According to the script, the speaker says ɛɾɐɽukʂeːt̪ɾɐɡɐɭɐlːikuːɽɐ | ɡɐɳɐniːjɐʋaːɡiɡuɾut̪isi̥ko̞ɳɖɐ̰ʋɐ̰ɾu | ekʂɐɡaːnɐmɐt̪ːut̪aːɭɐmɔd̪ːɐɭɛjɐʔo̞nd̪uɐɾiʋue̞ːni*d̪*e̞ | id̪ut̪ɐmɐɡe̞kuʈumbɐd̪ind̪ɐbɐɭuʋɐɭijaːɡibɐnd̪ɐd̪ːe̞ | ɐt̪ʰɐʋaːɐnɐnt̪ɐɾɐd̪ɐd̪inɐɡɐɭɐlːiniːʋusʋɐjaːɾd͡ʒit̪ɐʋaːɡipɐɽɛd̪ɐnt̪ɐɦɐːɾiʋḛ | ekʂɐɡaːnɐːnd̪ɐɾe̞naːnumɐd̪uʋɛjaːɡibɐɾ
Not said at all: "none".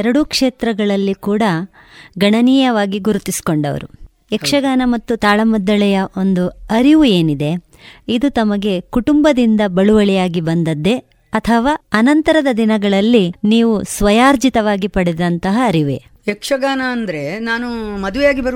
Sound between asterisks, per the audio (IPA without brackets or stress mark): d̪